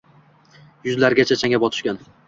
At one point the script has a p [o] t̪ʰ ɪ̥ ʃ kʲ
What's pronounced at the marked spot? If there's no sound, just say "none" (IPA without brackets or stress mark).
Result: ɒ